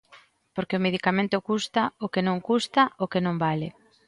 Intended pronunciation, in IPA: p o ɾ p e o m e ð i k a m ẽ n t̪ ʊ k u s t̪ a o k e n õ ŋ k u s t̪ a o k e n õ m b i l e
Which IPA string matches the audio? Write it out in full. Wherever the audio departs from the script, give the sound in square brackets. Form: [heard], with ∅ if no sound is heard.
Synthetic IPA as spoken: p o ɾ [k] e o m e ð i k a m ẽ n t̪ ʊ k u s t̪ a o k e n õ ŋ k u s t̪ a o k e n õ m b [a] l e